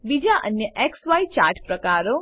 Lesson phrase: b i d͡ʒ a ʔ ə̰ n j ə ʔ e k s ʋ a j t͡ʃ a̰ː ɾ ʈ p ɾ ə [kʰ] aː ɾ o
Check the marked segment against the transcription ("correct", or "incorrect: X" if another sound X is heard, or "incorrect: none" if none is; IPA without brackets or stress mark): incorrect: k